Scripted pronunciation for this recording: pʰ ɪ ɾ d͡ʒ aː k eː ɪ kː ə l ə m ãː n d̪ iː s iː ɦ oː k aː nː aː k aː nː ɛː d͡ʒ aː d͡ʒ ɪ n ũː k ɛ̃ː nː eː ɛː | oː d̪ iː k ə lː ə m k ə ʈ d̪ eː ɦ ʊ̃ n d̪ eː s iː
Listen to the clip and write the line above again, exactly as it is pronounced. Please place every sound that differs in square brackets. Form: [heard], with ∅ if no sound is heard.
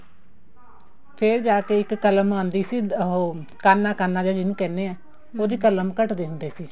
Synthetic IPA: pʰ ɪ ɾ d͡ʒ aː k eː ɪ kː ə l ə m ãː n d̪ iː s iː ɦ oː k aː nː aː k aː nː [aː] d͡ʒ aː d͡ʒ ɪ n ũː k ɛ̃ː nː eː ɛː | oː d̪ iː k ə [l] ə m k ə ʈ d̪ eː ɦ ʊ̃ n d̪ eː s iː